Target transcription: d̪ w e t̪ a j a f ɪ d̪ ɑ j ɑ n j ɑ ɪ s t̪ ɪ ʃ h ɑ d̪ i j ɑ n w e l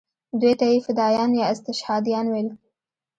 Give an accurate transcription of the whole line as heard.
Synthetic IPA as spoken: d̪ w e t̪ a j e f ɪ d̪ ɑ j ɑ n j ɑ ɪ s t̪ ɪ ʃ h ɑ d̪ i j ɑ n w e l